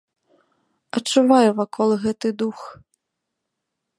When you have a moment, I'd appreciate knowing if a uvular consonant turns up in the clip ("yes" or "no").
no